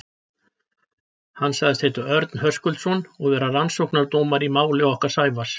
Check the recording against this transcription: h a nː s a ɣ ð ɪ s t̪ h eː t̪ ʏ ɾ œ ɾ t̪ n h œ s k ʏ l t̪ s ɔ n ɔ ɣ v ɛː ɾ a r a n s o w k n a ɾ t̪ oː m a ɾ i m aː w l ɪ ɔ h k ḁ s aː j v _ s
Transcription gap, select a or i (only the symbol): a